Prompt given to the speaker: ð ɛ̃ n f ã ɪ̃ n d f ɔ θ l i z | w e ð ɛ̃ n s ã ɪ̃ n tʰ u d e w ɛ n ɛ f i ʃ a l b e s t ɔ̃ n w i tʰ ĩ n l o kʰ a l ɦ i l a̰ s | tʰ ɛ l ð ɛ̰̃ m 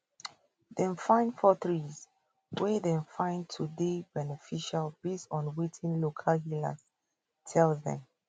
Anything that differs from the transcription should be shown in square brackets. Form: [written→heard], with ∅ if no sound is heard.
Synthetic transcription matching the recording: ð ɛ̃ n f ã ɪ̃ n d f ɔ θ [l→ɹ] i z | w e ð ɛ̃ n [s→f] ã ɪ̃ n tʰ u d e [w→b] ɛ n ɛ f i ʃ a l b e s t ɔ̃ n w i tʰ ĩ n l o kʰ a l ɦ i l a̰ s | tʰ ɛ l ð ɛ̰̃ m